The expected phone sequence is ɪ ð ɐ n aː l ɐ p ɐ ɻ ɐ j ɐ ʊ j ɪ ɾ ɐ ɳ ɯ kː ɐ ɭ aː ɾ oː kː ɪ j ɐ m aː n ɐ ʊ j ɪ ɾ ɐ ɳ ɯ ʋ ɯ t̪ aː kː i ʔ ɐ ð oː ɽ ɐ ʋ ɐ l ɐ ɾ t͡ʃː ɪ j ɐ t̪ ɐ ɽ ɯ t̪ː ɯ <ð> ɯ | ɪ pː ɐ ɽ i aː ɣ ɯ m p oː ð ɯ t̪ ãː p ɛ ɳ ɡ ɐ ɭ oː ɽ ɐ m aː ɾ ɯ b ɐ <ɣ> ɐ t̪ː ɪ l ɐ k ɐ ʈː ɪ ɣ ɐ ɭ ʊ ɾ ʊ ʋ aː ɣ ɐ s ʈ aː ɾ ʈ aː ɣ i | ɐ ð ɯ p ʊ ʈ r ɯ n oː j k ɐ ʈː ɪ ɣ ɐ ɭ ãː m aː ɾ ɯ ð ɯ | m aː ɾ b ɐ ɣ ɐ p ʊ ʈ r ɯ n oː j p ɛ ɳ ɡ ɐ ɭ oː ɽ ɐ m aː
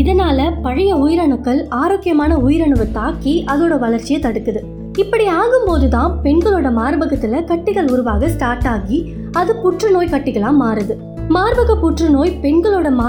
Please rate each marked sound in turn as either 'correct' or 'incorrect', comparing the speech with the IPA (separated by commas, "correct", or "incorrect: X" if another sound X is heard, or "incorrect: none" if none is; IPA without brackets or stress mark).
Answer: correct, correct